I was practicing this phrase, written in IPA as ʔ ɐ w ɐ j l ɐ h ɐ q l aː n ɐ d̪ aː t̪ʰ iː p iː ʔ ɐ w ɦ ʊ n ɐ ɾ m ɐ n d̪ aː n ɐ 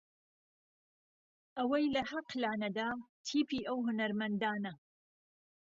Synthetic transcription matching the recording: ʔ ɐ w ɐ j l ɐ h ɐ q l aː n ɐ d̪ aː t̪ʰ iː p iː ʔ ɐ w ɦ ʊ n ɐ ɾ m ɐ n d̪ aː n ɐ